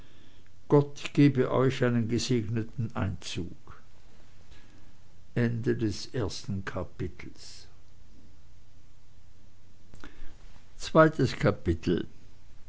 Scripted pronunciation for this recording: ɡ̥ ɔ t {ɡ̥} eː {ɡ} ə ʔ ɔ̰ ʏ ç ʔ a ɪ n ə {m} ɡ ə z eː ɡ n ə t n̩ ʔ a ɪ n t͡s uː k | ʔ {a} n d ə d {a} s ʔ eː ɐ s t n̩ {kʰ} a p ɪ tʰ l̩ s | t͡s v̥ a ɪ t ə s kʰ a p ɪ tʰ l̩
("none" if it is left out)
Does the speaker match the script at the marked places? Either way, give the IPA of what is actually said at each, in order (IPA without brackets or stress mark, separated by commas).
ɡ̥, b, n, ɛ, ɛ, kʰ